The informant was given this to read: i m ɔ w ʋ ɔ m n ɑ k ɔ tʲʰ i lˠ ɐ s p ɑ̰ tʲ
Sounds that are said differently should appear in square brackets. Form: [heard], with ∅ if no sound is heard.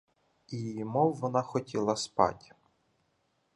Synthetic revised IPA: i m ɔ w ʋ ɔ [∅] n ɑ [x] ɔ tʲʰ i lˠ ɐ s p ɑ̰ tʲ